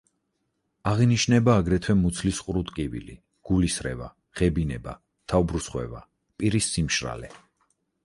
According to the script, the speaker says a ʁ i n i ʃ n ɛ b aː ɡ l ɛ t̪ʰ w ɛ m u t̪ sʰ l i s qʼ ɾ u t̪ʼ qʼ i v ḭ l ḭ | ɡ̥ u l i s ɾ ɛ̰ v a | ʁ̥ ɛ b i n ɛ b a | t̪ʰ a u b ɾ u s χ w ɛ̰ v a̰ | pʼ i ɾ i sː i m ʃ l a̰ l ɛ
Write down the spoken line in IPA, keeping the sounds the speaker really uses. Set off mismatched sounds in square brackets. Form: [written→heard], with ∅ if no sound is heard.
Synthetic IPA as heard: a ʁ i n i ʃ n ɛ b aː ɡ [l→ɾ] ɛ t̪ʰ w ɛ m u t̪ sʰ l i s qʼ ɾ u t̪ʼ [qʼ→kʼ] i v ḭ l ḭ | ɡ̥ u l i s ɾ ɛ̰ v a | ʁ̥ ɛ b i n ɛ b a | t̪ʰ a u b ɾ u s χ w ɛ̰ v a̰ | pʼ i ɾ i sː i m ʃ [l→ɾ] a̰ l ɛ